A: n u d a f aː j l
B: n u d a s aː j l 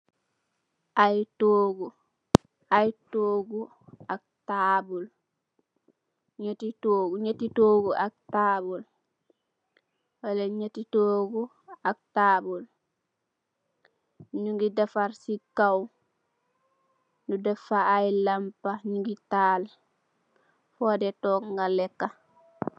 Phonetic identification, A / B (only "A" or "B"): A